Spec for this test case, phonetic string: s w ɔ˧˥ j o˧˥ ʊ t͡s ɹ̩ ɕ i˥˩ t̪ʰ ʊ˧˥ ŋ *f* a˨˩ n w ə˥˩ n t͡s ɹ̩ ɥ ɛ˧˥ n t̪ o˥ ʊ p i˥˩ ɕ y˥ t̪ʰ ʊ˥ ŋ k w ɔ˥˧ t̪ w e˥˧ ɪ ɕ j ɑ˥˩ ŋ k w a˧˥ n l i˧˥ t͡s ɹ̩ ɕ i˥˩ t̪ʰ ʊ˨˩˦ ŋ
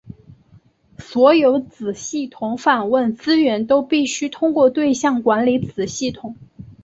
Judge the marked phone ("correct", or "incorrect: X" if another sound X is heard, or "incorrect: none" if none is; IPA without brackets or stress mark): correct